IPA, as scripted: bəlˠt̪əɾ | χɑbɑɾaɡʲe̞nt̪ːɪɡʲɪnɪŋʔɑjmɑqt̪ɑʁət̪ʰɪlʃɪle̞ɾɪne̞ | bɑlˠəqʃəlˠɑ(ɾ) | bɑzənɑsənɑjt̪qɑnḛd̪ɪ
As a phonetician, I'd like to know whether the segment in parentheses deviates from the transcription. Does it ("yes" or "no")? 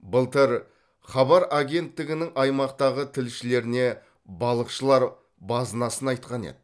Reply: no